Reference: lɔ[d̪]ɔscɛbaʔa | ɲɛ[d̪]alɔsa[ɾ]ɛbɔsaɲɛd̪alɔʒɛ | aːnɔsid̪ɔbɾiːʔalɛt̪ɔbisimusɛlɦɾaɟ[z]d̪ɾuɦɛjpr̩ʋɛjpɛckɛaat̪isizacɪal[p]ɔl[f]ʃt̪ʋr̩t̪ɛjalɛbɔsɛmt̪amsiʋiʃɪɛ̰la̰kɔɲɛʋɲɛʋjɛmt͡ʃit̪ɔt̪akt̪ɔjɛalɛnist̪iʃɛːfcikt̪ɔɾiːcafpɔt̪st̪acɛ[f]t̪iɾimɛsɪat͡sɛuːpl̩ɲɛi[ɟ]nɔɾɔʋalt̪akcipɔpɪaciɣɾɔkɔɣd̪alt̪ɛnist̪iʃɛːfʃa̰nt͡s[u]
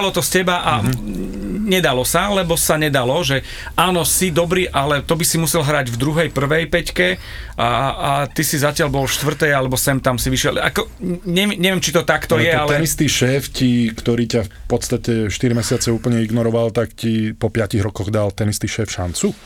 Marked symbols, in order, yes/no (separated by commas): no, yes, no, no, no, yes, no, no, yes